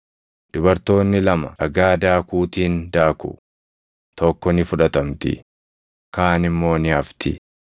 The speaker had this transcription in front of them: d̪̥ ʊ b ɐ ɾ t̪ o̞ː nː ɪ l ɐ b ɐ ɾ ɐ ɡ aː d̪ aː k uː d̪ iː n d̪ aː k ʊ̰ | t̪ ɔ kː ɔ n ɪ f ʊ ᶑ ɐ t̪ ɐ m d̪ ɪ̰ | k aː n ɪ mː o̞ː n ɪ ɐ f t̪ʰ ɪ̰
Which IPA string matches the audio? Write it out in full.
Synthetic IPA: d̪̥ ʊ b ɐ ɾ t̪ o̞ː nː ɪ l ɐ m ɐ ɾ ɐ ɡ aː d̪ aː k uː t̪ iː n d̪ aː k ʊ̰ | t̪ ɔ kː ɔ n ɪ f ʊ ᶑ ɐ t̪ ɐ m t̪ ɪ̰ | k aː n ɪ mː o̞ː n ɪ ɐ f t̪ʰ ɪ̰